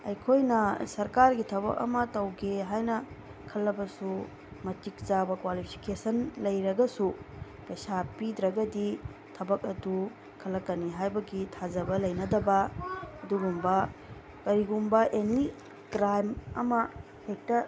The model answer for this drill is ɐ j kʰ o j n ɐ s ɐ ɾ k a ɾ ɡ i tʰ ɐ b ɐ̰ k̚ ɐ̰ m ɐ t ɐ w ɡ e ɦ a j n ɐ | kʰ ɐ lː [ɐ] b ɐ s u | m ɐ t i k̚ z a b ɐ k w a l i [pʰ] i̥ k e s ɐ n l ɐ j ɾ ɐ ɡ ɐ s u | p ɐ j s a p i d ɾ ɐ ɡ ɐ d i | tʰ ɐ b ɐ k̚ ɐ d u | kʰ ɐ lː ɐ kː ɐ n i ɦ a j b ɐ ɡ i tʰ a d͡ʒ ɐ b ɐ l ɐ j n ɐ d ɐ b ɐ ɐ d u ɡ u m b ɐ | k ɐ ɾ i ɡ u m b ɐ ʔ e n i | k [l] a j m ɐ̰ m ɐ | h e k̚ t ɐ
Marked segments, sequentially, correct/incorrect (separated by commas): correct, correct, incorrect